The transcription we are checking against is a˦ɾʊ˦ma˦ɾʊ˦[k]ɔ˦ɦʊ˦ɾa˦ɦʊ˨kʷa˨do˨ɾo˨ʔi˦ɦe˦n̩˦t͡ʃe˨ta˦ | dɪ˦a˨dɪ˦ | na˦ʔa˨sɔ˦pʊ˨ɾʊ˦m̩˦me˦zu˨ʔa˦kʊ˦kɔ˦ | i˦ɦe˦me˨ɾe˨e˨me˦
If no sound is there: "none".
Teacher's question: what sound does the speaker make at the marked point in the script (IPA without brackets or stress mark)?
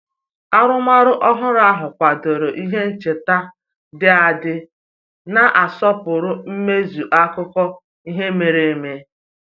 ʔ